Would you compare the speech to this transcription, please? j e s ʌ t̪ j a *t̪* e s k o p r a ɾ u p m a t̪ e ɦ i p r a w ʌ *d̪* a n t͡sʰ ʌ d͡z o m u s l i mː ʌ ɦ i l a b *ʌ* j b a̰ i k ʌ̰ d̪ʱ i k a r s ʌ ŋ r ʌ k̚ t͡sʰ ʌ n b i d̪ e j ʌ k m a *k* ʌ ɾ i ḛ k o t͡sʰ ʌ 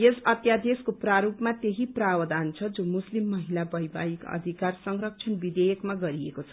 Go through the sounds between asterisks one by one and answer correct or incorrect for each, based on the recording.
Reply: incorrect: d̪, correct, correct, incorrect: ɡ

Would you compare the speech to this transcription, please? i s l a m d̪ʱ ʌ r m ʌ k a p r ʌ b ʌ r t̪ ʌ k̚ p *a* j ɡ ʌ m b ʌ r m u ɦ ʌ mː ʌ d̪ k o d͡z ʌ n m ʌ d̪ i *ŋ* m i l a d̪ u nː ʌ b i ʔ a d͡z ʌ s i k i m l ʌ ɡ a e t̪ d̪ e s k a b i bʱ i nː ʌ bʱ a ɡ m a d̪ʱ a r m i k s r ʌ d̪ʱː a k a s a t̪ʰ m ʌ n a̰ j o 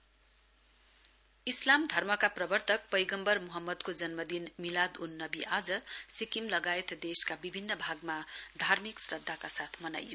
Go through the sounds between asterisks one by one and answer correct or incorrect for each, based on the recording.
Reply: incorrect: ʌ, incorrect: n

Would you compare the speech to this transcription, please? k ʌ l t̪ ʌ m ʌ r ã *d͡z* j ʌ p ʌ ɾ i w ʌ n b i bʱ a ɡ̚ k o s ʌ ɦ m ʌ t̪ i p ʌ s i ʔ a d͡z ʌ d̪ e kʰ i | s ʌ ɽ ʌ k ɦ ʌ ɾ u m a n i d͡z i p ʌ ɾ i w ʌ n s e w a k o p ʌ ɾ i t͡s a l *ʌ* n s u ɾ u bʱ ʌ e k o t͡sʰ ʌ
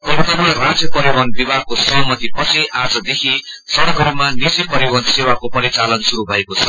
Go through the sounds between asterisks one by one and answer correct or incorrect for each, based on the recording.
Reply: correct, correct

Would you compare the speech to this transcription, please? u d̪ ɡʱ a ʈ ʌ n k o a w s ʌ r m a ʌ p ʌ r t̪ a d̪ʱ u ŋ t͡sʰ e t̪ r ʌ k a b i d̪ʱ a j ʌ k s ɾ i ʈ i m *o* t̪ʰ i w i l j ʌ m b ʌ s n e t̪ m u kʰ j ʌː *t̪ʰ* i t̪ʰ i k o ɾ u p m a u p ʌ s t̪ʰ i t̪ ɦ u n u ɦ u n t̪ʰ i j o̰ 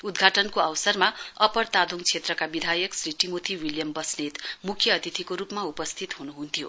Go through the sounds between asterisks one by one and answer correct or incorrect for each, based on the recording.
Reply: correct, incorrect: t̪

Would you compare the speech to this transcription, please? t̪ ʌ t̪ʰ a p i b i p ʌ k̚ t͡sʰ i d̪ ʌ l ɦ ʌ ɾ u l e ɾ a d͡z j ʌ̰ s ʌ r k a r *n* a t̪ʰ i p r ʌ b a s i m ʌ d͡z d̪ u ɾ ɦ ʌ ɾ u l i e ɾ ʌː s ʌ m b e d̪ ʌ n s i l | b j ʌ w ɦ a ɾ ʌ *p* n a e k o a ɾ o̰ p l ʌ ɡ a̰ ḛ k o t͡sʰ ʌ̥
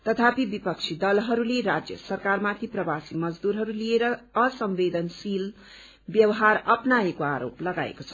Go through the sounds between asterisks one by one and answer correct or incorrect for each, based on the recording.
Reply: incorrect: m, correct

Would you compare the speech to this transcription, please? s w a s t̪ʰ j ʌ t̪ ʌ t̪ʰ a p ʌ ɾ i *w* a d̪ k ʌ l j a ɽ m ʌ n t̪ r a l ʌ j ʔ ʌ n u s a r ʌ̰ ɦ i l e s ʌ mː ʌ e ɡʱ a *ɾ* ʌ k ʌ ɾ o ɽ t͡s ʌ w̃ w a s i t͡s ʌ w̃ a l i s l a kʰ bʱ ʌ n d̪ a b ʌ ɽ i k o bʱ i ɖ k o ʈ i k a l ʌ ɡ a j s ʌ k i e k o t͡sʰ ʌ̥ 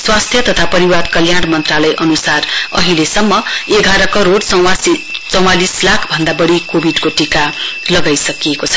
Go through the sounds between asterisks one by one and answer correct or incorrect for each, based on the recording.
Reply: correct, correct

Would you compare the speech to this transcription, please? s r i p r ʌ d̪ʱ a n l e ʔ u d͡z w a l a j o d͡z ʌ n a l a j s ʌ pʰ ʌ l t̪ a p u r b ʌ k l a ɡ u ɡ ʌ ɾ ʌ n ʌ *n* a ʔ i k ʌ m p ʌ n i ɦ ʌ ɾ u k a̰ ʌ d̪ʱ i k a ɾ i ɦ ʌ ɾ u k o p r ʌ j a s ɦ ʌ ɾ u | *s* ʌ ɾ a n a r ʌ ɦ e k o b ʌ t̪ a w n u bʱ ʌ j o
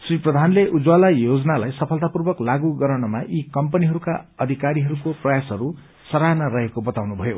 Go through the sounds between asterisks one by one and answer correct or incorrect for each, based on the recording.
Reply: incorrect: m, correct

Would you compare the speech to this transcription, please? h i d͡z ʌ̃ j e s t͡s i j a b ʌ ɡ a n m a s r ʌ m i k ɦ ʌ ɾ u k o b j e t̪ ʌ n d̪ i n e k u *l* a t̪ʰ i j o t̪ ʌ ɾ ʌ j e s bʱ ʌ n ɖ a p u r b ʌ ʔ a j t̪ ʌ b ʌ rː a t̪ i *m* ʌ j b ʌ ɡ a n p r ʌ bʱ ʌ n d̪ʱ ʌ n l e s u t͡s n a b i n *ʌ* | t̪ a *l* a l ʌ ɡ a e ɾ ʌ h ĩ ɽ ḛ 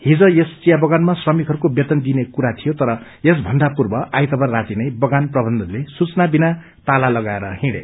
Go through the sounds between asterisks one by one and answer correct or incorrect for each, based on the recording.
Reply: incorrect: ɾ, incorrect: n, incorrect: a, correct

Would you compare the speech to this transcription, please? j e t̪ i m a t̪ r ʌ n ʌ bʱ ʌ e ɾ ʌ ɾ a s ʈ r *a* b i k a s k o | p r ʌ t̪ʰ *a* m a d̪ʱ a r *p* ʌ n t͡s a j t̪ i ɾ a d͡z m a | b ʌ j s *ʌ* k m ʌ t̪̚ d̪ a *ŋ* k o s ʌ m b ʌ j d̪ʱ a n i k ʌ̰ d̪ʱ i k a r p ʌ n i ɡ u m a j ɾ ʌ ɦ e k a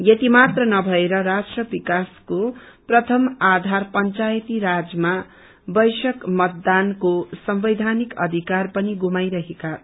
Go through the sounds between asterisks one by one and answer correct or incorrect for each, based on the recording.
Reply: incorrect: ʌ, incorrect: ʌ, correct, correct, incorrect: n

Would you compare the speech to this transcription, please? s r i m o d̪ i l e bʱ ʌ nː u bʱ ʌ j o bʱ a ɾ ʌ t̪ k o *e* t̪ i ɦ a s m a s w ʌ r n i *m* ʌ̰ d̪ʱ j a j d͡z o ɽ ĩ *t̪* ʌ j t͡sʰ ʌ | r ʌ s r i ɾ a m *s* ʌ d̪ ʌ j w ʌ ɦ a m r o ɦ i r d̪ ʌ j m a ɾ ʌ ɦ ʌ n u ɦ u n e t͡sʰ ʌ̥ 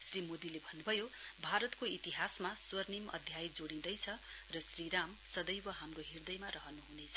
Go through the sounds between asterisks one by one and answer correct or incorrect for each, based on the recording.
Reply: incorrect: i, correct, incorrect: d̪, correct

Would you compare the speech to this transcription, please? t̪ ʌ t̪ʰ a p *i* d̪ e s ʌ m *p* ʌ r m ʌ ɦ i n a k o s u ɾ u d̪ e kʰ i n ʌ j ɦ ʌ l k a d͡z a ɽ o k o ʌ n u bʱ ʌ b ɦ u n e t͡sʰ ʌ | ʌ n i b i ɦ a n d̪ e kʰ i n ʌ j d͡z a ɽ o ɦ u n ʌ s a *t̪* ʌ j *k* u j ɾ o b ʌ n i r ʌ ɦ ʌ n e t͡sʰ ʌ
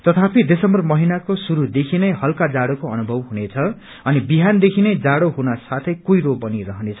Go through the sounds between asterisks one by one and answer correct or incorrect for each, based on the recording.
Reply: correct, incorrect: b, incorrect: t̪ʰ, correct

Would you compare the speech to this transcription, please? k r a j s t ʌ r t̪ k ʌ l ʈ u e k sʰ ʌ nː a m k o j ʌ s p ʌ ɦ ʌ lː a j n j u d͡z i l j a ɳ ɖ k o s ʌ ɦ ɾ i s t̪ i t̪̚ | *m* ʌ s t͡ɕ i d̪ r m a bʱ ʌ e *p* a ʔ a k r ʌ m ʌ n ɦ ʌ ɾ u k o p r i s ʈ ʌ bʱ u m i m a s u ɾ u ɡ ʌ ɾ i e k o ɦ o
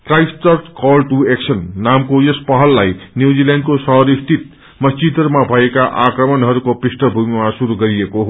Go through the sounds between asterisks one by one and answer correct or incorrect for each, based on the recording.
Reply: correct, incorrect: k

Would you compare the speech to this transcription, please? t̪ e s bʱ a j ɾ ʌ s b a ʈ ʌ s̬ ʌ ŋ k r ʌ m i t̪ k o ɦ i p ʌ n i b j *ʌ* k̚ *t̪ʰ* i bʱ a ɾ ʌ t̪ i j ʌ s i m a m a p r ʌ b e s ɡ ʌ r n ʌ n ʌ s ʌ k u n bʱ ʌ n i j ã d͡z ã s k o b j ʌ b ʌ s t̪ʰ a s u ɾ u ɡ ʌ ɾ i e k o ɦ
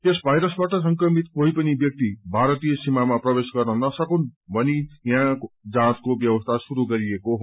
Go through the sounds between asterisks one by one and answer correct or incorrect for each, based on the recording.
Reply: correct, incorrect: t̪

